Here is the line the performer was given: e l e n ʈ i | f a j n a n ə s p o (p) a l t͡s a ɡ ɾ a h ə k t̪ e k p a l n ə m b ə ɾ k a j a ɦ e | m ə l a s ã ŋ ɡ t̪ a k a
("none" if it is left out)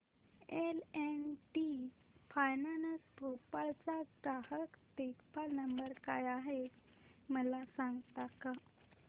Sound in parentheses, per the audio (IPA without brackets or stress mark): p